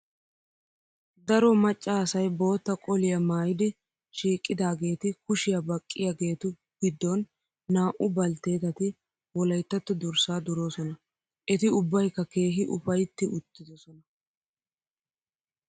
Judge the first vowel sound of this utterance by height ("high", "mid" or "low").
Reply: low